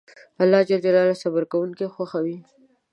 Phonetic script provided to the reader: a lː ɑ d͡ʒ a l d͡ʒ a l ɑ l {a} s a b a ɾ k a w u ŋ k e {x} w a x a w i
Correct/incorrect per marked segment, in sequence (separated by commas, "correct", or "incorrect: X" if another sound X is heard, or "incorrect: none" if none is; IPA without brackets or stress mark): correct, correct